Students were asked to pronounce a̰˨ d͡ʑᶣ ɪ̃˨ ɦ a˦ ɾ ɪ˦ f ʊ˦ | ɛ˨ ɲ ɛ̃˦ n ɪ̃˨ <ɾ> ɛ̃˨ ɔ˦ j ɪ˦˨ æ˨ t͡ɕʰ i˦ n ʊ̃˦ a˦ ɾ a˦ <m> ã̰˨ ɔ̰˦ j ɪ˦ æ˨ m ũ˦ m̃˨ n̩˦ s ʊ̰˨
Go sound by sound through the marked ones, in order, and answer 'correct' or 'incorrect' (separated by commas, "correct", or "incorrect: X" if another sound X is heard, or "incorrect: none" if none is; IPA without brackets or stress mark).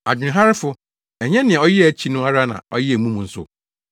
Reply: incorrect: none, incorrect: n